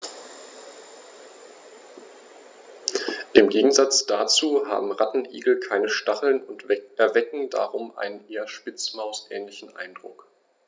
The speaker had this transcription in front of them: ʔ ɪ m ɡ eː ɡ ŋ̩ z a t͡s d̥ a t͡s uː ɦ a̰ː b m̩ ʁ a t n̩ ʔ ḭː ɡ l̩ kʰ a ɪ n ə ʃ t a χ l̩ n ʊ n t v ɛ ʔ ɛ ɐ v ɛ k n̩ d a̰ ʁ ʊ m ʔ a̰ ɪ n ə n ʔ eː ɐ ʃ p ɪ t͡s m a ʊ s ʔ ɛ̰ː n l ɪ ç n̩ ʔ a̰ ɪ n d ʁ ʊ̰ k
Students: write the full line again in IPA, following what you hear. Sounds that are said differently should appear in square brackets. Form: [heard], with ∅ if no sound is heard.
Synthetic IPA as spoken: ʔ ɪ m ɡ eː ɡ ŋ̩ z a t͡s d̥ a t͡s uː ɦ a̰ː b m̩ ʁ a t n̩ ʔ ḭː ɡ l̩ kʰ a ɪ n ə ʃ t a χ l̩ n ʊ n t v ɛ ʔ ɛ ɐ v ɛ k [ŋ̩] d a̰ ʁ ʊ m ʔ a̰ ɪ n ə n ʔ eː ɐ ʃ p ɪ t͡s m a ʊ s ʔ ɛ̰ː n l ɪ ç n̩ ʔ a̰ ɪ n d ʁ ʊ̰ k